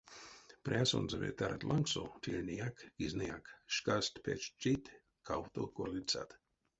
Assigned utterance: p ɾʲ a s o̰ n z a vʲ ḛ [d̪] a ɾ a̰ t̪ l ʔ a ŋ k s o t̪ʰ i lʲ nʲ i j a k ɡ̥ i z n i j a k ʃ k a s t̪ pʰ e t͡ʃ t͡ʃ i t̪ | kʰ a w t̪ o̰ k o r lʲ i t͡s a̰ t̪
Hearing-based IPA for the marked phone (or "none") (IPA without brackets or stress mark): t̪